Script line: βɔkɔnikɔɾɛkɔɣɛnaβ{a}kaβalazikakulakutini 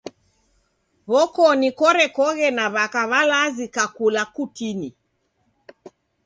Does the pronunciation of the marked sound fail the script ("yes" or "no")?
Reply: no